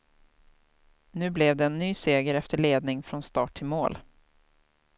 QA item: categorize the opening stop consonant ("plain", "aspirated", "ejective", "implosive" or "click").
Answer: plain